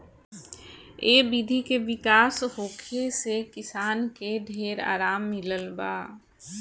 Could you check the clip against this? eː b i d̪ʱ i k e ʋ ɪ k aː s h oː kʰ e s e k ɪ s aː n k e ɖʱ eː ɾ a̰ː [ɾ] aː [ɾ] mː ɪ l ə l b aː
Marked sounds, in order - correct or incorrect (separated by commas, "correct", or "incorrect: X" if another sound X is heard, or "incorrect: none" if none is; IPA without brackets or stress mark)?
correct, incorrect: none